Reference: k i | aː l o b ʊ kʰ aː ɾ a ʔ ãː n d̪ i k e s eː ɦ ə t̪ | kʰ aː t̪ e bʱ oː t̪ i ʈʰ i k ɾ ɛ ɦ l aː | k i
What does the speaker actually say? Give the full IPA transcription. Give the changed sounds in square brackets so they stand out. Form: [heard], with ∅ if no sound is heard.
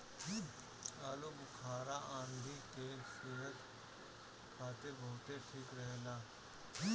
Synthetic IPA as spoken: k i | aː l o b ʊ kʰ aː ɾ a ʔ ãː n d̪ i k e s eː ɦ ə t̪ | kʰ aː t̪ e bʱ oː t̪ [e] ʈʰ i k ɾ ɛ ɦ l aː | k i